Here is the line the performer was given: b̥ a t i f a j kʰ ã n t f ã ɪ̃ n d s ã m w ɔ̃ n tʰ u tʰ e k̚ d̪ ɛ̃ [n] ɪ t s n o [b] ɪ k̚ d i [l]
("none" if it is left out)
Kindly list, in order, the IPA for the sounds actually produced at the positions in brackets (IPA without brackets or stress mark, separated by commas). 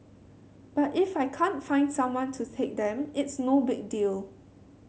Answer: m, b, l